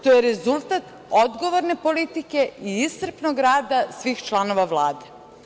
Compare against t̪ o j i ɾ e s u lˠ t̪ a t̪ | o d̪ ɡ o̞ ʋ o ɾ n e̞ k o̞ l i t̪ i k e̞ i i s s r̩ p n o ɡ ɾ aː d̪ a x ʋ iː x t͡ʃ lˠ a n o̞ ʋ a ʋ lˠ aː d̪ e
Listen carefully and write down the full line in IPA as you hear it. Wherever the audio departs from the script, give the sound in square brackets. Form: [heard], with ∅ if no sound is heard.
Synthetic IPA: t̪ o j [e] ɾ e [z] u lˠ t̪ a t̪ | o d̪ ɡ o̞ ʋ o ɾ n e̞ [p] o̞ l i t̪ i k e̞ i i s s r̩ p n o ɡ ɾ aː d̪ a [s] ʋ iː x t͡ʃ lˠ a n o̞ ʋ a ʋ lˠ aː d̪ e